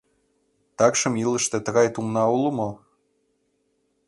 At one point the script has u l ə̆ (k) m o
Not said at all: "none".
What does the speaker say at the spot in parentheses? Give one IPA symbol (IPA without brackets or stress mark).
none